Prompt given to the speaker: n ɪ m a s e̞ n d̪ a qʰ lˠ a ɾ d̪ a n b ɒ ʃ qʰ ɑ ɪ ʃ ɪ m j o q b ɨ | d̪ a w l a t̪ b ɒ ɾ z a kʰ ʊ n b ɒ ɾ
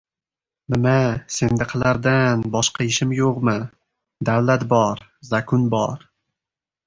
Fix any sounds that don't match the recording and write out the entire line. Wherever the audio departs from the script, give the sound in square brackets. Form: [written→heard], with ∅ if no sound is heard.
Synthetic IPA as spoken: n ɪ m a s e̞ n d̪ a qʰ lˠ a ɾ d̪ a n b ɒ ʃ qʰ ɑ ɪ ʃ ɪ m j o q [b→m] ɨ | d̪ a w l a t̪ b ɒ ɾ z a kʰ ʊ n b ɒ ɾ